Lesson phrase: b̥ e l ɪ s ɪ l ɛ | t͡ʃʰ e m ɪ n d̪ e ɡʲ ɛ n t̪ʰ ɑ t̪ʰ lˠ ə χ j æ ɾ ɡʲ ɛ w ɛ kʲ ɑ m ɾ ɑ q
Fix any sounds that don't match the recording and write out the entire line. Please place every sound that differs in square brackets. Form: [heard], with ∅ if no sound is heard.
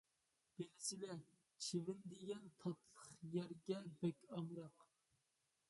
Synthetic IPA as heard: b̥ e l ɪ s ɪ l ɛ | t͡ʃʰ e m ɪ n d̪ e ɡʲ ɛ n t̪ʰ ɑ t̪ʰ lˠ ə χ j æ ɾ ɡʲ ɛ [b] ɛ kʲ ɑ m ɾ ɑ q